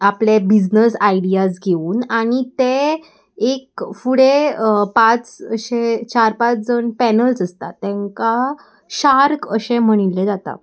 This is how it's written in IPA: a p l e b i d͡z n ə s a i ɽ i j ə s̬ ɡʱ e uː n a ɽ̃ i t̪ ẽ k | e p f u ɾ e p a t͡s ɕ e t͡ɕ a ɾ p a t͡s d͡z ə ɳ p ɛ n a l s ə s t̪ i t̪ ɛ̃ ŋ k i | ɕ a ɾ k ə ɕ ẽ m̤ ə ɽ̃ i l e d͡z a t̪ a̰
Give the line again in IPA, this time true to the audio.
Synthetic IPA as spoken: a p l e b i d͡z n ə s a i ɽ i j a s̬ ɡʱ e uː n a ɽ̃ i t̪ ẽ | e k f u ɽ e p a t͡s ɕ e t͡ɕ a ɾ p a t͡s d͡z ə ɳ p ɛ n ə l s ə s t̪ a t̪ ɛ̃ ŋ k a | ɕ a ɾ k ə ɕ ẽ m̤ ə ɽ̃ i l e d͡z a t̪ a̰